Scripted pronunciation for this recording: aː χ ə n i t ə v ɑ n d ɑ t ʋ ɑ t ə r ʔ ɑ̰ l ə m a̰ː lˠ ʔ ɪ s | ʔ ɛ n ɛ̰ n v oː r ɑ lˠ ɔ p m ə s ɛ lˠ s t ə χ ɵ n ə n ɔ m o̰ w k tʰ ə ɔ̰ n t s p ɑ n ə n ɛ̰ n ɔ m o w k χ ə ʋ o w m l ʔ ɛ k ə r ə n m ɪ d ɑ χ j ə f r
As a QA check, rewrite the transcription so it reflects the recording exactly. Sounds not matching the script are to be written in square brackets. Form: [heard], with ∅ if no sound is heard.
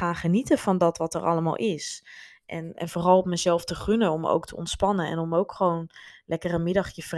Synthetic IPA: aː χ ə n i t ə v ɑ n d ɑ t ʋ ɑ t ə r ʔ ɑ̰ l ə m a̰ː lˠ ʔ ɪ s | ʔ ɛ n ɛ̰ n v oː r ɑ lˠ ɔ p m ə [z] ɛ lˠ [f] t ə χ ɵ n ə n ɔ m o̰ w k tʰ ə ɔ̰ n t s p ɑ n ə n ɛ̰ n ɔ m o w k χ ə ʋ o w [n] l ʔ ɛ k ə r ə n m ɪ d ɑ χ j ə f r